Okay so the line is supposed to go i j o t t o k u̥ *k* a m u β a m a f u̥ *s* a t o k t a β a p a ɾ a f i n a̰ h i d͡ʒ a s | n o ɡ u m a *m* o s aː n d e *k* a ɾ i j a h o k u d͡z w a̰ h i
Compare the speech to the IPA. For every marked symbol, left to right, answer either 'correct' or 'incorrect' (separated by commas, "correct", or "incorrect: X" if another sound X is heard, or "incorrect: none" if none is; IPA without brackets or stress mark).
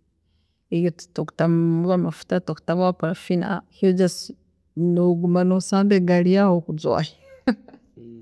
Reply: incorrect: t, incorrect: t, incorrect: n, incorrect: ɡ